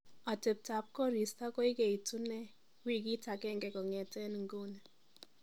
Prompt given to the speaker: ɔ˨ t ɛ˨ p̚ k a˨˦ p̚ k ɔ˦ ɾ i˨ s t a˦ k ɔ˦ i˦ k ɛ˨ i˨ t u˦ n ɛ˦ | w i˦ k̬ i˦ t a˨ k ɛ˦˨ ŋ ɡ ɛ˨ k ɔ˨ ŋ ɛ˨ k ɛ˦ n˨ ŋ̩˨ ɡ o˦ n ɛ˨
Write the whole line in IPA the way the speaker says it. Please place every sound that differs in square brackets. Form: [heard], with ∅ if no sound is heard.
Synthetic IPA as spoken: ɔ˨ t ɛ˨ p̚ [t] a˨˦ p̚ k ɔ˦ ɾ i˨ s t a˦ k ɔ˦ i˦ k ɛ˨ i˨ t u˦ n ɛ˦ | w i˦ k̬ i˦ t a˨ k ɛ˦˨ ŋ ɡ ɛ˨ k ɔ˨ ŋ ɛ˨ [t] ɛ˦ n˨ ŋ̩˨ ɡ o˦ n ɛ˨